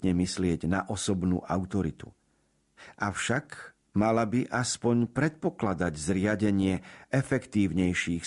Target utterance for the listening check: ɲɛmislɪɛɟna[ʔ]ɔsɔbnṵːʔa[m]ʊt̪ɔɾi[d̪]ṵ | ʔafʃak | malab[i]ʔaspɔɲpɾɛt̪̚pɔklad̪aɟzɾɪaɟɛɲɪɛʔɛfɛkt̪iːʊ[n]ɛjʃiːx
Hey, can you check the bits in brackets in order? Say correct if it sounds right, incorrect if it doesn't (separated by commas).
correct, incorrect, incorrect, correct, incorrect